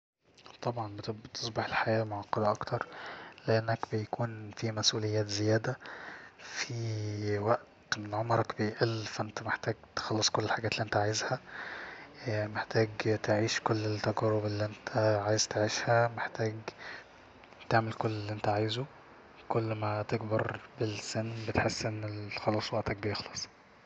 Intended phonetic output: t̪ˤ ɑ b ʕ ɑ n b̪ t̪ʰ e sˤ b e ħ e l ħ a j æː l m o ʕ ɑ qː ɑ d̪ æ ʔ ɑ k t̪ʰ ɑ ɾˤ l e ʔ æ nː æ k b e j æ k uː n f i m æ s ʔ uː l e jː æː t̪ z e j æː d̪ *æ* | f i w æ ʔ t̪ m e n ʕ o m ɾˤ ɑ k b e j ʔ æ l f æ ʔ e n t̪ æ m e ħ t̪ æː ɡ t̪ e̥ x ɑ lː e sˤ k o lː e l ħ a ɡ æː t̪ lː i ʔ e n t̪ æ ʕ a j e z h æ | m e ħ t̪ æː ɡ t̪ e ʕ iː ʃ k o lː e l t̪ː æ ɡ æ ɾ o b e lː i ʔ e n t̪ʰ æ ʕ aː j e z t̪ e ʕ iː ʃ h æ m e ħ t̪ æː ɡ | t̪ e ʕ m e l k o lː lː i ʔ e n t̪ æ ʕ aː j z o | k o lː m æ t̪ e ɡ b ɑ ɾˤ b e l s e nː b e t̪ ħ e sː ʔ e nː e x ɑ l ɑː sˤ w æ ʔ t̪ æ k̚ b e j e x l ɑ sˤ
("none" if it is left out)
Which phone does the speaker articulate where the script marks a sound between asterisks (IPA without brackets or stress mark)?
æ